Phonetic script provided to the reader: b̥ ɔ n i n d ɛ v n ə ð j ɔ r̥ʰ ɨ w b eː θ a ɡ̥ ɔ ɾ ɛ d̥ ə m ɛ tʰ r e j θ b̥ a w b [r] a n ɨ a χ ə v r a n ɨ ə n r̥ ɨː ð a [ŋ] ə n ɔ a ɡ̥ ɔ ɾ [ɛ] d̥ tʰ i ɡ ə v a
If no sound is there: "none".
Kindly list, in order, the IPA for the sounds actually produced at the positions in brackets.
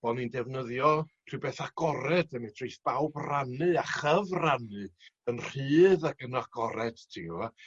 r, ɡ, ɛ

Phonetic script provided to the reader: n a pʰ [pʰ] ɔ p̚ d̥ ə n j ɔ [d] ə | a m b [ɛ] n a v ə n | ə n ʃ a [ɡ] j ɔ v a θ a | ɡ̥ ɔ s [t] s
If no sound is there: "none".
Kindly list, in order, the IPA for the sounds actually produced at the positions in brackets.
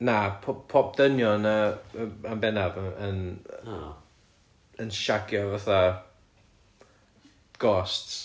pʰ, n, ɛ, ɡ, t

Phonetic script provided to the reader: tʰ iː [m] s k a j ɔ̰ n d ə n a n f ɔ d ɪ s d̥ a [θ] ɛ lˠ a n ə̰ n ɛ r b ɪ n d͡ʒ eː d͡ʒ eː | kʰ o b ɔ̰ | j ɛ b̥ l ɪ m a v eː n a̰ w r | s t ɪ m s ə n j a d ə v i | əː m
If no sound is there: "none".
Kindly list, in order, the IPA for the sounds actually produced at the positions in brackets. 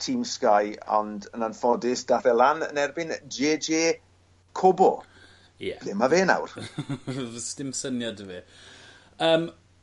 m, θ

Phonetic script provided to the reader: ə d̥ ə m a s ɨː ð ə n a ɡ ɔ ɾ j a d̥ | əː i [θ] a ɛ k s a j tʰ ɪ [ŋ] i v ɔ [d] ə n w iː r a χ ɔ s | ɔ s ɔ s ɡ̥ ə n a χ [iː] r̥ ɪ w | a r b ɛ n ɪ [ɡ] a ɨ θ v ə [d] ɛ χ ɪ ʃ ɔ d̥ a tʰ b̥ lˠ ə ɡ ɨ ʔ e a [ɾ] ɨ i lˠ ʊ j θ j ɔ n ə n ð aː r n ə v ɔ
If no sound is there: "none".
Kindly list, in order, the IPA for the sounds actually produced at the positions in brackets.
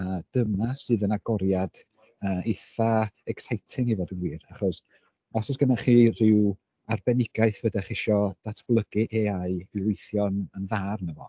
θ, ŋ, d, iː, ɡ, d, none

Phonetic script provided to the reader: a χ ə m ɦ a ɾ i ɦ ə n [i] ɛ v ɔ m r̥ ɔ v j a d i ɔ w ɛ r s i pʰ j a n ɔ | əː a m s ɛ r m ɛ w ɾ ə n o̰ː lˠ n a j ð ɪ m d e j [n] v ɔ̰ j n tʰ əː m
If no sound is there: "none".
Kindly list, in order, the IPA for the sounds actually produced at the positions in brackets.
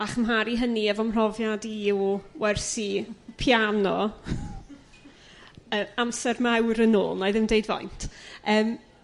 i, d

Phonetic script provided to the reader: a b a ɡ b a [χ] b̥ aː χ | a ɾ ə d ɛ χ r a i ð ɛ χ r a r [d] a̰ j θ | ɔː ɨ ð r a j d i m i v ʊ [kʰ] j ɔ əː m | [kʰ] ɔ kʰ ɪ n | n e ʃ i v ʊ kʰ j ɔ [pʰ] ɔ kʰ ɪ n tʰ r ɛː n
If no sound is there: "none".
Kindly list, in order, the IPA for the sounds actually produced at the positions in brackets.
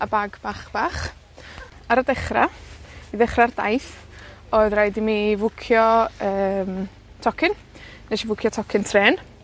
χ, d, kʰ, tʰ, tʰ

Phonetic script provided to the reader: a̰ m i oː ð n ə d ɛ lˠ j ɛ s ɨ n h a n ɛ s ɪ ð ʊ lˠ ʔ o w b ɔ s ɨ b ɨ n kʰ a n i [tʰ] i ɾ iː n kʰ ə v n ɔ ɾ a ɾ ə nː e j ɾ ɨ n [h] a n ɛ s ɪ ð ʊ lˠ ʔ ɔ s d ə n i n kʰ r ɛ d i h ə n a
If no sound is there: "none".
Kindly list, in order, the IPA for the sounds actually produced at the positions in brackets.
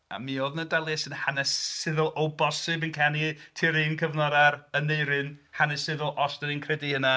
tʰ, h

